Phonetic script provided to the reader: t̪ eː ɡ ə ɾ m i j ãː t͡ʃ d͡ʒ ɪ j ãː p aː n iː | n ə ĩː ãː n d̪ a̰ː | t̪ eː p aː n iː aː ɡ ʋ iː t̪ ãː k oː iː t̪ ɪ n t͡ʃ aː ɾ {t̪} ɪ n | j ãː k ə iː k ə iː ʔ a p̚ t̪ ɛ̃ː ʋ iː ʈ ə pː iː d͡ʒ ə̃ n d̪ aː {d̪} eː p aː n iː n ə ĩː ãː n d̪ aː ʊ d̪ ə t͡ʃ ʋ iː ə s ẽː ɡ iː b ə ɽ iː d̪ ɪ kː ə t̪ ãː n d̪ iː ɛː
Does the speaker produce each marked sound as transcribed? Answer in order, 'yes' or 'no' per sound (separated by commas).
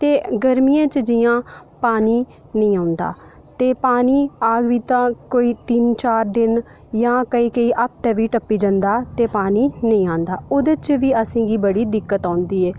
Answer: no, no